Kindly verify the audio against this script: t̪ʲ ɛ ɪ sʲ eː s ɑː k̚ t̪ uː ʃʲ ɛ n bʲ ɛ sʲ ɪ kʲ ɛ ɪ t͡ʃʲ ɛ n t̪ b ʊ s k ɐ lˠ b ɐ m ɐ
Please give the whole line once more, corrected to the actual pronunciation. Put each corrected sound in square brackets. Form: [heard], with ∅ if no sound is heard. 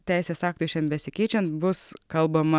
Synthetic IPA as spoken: t̪ʲ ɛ ɪ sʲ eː s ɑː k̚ t̪ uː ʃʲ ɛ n bʲ ɛ sʲ ɪ kʲ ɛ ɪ t͡ʃʲ ɛ n t̪ b ʊ s k ɐ lˠ b ɐ m ɐ